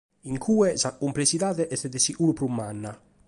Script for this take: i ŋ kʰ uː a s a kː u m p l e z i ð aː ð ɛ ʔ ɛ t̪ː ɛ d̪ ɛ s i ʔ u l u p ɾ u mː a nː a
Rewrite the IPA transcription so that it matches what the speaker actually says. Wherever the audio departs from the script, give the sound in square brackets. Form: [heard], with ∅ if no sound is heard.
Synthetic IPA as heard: i ŋ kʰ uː [ɛ] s a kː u m p l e [s] i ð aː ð ɛ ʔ ɛ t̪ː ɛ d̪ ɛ s i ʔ u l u p ɾ u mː a nː a